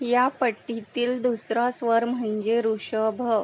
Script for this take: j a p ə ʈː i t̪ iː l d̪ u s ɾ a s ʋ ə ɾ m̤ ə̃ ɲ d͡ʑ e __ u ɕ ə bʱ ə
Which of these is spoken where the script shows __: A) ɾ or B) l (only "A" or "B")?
A